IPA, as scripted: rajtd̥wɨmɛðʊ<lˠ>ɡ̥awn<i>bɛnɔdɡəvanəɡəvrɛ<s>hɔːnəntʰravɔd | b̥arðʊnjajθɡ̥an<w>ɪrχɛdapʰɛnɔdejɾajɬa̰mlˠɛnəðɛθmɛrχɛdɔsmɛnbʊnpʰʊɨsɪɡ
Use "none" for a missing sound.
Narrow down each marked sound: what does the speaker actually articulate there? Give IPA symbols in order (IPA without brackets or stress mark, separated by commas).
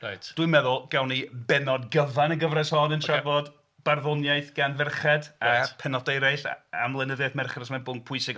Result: lˠ, i, s, v